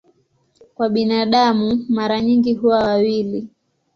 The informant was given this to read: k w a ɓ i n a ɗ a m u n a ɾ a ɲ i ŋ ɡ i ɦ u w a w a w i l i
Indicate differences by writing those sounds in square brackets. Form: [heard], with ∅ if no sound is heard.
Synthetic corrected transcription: k w a ɓ i n a ɗ a m u [m] a ɾ a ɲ i ŋ ɡ i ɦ u w a w a w i l i